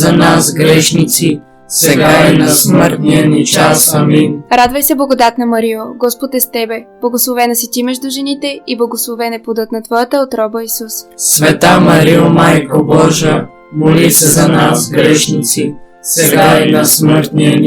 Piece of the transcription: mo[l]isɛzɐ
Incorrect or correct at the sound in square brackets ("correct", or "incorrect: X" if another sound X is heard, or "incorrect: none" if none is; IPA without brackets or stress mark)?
correct